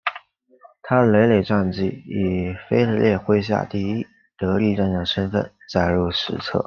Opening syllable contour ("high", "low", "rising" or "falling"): high